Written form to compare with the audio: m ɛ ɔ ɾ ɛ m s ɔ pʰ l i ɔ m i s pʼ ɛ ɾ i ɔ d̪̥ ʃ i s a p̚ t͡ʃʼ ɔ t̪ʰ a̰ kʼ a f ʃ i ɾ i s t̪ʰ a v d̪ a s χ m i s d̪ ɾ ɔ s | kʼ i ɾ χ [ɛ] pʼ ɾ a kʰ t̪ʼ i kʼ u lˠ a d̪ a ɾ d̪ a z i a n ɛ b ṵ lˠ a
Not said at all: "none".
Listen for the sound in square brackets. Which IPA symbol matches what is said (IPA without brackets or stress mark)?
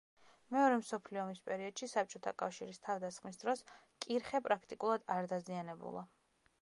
ɛ